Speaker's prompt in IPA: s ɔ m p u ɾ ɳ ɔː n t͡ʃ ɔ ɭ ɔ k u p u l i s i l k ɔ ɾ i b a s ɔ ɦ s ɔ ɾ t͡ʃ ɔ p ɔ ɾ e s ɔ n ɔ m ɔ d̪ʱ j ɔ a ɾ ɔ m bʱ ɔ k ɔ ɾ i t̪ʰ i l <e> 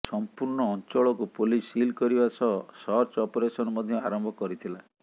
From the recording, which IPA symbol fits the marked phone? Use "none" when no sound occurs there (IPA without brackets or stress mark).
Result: a